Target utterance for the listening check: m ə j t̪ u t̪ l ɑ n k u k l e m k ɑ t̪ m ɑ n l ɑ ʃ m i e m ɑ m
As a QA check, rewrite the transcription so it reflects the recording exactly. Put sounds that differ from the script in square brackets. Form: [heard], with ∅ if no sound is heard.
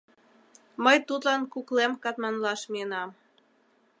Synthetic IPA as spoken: m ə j t̪ u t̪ l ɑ n k u k l e m k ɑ t̪ m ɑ n l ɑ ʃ m i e [n] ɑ m